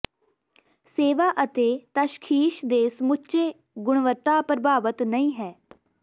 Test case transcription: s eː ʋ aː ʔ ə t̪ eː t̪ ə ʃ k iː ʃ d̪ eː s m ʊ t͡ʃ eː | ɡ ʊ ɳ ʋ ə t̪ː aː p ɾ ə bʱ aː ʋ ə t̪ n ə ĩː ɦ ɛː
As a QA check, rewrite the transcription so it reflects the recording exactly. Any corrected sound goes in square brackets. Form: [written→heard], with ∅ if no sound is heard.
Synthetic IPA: s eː ʋ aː ʔ ə t̪ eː t̪ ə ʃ [k→kʰ] iː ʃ d̪ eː s m ʊ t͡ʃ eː | ɡ ʊ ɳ ʋ ə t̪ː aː p ɾ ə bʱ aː ʋ ə t̪ n ə ĩː ɦ ɛː